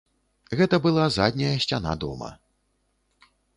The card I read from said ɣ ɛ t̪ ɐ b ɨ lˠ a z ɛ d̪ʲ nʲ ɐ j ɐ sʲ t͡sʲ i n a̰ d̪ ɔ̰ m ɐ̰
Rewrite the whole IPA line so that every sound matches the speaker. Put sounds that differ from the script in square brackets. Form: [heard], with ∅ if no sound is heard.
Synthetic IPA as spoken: ɣ ɛ t̪ ɐ b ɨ lˠ a z [a] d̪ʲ nʲ ɐ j ɐ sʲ t͡sʲ [a] n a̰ d̪ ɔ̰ m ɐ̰